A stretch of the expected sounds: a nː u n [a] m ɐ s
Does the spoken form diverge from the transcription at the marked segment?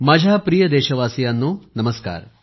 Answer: yes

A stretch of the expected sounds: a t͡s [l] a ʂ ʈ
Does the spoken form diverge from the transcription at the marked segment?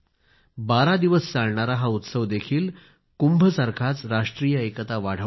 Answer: yes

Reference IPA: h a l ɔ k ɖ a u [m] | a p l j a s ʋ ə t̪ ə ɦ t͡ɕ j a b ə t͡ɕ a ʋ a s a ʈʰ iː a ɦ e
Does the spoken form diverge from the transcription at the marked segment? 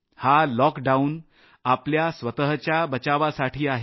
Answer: yes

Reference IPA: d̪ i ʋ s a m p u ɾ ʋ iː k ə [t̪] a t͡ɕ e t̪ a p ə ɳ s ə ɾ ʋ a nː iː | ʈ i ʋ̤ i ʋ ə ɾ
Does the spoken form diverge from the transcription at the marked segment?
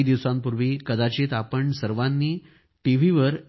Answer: yes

